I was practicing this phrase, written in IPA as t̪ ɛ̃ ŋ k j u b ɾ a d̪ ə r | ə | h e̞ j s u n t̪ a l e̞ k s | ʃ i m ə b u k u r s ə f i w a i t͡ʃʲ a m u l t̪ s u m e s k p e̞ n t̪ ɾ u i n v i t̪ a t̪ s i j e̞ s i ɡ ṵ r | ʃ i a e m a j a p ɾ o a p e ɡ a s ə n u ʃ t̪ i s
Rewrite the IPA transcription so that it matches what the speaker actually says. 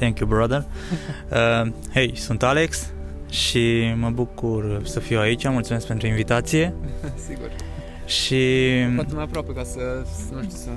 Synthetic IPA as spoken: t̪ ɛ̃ ŋ k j u b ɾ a d̪ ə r | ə | h e̞ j s u n t̪ a l e̞ k s | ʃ i m ə b u k u r s ə f i w a i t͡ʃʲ a m u l t̪ s u m e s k p e̞ n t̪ ɾ u i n v i t̪ a t̪ s i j e̞ s i ɡ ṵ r | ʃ i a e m a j a p ɾ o a p e k a s ə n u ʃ t̪ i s